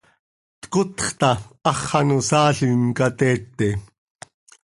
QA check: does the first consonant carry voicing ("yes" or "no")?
no